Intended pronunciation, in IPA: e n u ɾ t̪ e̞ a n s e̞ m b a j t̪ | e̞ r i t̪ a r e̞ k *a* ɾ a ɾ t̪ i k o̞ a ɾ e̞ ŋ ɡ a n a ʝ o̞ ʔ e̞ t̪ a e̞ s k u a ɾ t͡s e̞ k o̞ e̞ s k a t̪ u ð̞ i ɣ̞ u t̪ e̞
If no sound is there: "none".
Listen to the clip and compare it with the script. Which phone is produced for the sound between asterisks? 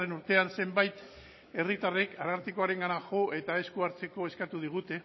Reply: a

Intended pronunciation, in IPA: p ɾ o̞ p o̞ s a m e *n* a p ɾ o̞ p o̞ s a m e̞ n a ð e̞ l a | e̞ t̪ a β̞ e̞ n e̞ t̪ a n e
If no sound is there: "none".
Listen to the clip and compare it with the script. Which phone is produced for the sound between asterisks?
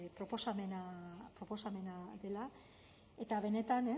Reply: n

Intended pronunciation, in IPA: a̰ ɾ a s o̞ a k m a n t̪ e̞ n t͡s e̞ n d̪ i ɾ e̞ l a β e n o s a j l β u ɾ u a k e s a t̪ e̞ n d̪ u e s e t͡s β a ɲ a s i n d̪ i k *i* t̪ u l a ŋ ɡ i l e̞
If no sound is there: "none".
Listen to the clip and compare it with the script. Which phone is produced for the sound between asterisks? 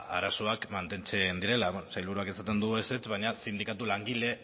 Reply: a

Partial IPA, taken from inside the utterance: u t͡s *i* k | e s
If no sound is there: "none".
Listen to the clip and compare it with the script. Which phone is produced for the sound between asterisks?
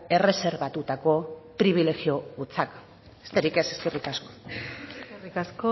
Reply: a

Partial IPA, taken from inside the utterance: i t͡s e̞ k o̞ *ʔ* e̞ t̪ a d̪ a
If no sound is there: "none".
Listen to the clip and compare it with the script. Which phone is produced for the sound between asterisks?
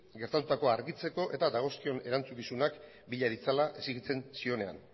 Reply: ʔ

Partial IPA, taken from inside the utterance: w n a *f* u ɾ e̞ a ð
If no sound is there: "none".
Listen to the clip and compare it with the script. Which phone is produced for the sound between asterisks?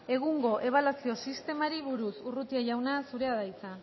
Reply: s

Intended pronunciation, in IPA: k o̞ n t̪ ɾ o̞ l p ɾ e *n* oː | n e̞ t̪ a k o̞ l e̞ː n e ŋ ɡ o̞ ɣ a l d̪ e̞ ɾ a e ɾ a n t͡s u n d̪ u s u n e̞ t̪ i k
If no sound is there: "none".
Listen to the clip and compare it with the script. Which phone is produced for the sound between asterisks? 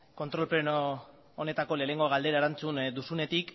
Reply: n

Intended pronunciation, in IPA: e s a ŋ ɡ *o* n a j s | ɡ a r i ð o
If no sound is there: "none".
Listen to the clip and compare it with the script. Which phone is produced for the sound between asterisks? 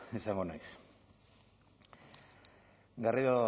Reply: o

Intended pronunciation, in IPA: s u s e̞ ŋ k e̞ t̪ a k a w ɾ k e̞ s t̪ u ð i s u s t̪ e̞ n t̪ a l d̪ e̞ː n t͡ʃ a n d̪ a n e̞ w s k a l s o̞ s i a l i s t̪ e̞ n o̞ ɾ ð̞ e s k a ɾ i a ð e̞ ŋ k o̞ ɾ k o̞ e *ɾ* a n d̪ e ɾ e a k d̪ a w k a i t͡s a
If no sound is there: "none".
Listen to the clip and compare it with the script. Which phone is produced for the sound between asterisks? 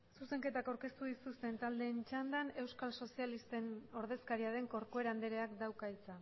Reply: ɾ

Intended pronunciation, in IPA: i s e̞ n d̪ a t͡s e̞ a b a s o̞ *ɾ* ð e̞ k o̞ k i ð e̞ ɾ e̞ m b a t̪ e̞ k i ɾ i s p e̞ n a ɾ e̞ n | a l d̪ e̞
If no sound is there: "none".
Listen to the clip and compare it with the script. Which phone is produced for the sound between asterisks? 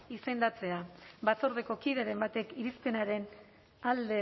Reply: ɾ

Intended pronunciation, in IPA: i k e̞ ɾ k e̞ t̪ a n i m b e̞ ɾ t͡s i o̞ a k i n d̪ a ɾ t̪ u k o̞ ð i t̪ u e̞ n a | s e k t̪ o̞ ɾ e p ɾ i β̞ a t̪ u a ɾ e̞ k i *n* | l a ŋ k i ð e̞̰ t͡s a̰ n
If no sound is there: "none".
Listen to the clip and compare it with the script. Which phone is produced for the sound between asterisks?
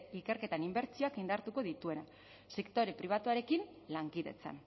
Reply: n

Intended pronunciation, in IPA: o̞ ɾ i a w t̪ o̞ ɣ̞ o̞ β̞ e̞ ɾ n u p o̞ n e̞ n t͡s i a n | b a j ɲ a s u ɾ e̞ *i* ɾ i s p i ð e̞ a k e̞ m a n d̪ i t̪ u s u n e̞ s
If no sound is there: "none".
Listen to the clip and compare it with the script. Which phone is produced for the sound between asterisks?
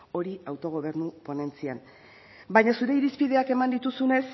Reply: i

